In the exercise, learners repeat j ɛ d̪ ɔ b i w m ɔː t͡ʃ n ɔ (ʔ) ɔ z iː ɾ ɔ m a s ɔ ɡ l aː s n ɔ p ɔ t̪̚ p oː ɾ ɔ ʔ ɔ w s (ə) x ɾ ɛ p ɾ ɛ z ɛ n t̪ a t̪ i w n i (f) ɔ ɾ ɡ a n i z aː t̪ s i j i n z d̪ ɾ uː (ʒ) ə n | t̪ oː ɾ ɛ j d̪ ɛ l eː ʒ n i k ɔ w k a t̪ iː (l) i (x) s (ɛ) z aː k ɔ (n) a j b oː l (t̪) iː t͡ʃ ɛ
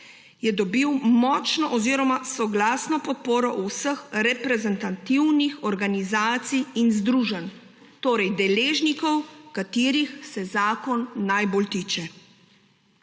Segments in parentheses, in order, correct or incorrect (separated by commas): correct, correct, incorrect, correct, incorrect, correct, correct, incorrect, correct